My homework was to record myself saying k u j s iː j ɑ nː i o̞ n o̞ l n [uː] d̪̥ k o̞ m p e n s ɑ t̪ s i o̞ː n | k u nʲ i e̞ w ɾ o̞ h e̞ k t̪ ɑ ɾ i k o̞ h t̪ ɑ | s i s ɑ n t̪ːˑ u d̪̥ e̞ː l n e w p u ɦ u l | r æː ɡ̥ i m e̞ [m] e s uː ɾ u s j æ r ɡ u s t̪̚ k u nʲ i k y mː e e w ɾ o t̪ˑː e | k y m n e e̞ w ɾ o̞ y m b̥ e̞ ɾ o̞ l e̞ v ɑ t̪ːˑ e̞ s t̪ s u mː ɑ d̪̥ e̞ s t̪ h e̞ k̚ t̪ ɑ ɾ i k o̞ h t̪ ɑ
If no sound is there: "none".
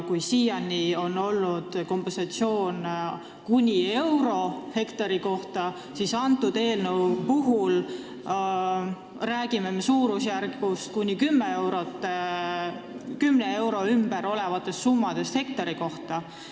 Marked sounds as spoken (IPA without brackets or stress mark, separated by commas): u, m